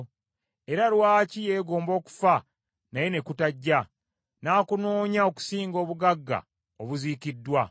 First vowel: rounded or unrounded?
unrounded